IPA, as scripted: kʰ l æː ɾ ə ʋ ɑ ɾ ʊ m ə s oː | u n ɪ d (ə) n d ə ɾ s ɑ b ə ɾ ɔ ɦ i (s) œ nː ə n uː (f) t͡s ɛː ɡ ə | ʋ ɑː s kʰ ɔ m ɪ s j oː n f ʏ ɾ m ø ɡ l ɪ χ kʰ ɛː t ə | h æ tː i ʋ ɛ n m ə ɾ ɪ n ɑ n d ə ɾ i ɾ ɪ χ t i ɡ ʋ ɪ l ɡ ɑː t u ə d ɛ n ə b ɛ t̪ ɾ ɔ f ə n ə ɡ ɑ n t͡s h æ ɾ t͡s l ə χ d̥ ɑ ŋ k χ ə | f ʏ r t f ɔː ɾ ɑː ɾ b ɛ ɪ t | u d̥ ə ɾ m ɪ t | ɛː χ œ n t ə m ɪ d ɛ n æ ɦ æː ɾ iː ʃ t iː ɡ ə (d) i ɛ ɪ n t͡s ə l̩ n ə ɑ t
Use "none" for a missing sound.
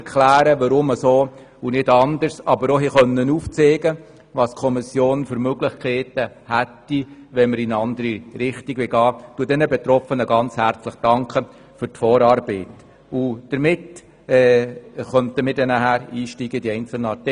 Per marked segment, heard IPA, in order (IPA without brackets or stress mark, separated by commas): ɑ, χ, f, d